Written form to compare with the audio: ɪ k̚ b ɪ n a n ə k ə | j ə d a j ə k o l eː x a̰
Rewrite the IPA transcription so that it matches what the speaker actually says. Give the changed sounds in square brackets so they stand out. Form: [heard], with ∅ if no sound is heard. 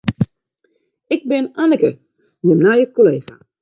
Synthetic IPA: ɪ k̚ b ɪ n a n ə k ə | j ə [n] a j ə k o l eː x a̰